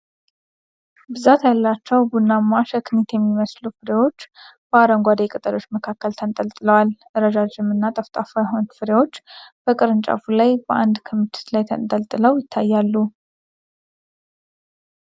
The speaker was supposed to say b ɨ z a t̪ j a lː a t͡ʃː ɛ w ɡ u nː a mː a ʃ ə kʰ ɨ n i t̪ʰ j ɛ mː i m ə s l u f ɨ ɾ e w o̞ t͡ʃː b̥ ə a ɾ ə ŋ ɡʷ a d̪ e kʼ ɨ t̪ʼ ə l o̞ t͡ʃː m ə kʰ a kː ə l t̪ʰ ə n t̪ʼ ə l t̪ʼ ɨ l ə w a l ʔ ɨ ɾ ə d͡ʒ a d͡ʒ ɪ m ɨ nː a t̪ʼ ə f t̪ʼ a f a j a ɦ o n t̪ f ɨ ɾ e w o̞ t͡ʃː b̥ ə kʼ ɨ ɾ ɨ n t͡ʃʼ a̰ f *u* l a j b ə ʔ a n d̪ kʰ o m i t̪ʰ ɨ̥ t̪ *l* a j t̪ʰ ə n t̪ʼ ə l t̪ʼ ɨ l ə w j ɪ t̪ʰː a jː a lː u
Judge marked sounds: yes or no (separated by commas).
yes, yes